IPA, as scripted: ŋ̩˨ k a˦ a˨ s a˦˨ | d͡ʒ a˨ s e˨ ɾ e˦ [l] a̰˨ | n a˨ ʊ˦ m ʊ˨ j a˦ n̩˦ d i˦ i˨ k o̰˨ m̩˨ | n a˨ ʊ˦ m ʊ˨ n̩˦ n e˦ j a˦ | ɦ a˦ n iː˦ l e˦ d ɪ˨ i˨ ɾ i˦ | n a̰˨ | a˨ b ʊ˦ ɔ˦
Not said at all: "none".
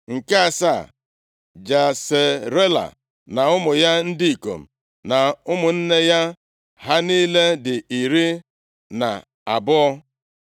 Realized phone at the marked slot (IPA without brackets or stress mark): l